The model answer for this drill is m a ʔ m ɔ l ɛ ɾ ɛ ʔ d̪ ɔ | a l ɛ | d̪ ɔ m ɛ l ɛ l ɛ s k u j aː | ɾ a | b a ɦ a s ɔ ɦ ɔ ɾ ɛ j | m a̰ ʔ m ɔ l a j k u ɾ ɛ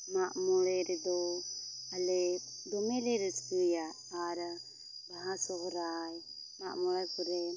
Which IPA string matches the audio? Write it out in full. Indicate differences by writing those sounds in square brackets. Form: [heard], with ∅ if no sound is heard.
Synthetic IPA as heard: m a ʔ m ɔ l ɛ ɾ ɛ [∅] d̪ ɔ | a l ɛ | d̪ ɔ m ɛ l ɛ [ɾ] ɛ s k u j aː | ɾ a | b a ɦ a s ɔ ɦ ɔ ɾ [a] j | m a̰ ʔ m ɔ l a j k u ɾ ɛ